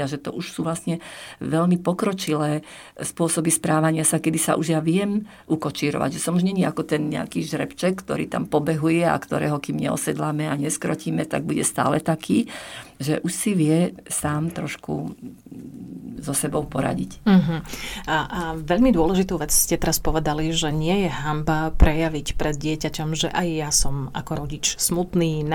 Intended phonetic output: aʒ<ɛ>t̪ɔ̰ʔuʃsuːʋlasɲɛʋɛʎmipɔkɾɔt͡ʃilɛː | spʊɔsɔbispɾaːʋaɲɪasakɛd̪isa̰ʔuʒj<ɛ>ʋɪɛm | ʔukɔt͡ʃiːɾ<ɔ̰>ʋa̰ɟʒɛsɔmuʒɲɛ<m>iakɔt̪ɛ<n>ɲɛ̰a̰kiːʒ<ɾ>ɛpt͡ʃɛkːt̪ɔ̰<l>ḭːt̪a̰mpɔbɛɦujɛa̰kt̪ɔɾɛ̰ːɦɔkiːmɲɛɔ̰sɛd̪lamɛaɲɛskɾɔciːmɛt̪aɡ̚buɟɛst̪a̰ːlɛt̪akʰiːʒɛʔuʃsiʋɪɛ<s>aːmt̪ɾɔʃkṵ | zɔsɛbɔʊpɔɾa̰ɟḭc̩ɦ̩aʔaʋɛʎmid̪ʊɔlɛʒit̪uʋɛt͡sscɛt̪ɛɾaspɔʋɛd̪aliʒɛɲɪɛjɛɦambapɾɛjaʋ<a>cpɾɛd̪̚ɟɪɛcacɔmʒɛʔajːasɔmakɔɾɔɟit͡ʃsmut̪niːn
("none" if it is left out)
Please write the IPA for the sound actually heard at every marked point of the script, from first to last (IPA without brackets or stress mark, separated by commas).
ɛ, a, ɔ̰, ɲ, n, ɾ, ɾ, s, i